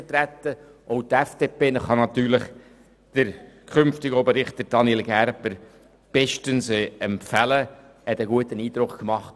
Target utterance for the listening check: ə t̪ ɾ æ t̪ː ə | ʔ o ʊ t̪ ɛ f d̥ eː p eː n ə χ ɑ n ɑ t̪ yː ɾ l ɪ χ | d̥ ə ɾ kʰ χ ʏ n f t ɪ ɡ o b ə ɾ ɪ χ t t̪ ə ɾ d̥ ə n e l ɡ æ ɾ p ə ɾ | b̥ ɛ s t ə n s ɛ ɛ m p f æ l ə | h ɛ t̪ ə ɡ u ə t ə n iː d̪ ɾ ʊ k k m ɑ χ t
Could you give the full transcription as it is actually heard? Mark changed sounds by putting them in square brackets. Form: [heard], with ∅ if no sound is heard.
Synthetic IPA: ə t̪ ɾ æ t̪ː ə | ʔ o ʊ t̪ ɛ f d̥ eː p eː n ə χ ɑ n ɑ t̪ yː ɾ l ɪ χ | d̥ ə ɾ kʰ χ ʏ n f t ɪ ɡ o b ə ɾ ɪ χ t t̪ ə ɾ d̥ [ɑ] n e l ɡ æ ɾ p ə ɾ | b̥ ɛ [ʃ] t ə n s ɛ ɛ m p f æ l ə | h ɛ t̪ ə ɡ u ə t ə n iː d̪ ɾ ʊ k k m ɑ χ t